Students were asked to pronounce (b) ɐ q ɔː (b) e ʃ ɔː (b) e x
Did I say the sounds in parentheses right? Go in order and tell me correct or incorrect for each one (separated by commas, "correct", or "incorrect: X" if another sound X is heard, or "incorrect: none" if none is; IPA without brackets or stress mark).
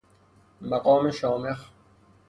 incorrect: m, incorrect: m, incorrect: m